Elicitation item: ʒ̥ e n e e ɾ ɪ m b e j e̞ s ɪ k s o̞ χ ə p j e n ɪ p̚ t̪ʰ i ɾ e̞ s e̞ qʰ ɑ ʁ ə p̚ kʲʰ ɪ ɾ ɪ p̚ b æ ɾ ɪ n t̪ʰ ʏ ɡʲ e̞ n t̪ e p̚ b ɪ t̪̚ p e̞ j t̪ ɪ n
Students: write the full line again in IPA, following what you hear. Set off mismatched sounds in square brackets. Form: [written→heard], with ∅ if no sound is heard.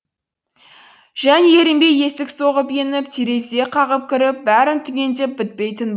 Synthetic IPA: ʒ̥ [e→æ] n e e ɾ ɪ m b e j e̞ s ɪ k s o̞ [χ→ʁ] ə p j e n ɪ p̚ t̪ʰ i ɾ e̞ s e̞ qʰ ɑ ʁ ə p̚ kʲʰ ɪ ɾ ɪ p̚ b æ ɾ ɪ n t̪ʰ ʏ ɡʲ e̞ n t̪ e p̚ b ɪ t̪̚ p e̞ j t̪ ɪ n